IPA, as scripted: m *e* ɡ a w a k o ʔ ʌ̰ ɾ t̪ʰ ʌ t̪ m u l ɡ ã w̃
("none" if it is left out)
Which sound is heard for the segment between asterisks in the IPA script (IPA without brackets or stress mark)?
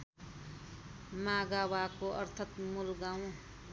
a